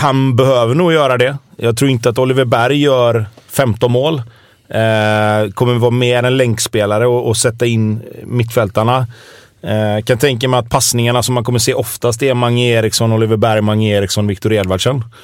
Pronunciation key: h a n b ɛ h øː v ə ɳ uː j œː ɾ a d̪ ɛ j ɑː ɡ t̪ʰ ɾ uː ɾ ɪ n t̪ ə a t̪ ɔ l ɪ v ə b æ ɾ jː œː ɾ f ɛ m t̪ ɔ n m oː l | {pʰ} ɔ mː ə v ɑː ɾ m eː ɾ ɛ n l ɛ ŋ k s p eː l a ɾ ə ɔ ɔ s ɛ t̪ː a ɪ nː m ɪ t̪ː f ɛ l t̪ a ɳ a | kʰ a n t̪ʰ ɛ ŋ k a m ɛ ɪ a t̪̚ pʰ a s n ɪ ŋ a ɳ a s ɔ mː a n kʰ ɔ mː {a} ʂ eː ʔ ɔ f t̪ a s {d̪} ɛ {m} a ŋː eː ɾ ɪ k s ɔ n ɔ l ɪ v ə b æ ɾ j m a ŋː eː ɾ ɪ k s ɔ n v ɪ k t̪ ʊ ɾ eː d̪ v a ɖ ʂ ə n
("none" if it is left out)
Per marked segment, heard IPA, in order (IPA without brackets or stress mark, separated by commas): kʰ, ə, t̪, m